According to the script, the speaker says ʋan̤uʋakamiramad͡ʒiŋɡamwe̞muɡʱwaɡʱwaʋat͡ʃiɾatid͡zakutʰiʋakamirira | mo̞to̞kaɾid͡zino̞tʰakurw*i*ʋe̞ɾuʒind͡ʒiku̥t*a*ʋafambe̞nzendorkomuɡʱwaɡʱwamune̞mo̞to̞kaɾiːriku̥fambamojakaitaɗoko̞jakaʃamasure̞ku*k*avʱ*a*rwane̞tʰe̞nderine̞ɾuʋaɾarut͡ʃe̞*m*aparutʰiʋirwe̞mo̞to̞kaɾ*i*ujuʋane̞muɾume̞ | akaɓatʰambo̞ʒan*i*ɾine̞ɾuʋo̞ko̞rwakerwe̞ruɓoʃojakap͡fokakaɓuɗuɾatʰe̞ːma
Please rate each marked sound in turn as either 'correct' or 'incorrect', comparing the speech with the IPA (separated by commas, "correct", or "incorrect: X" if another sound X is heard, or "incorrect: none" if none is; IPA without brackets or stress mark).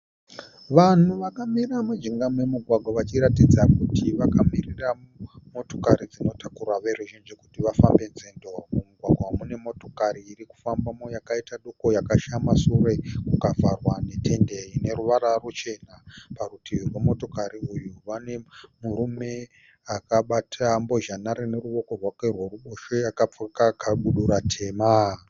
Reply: incorrect: a, incorrect: i, correct, correct, incorrect: n, correct, incorrect: a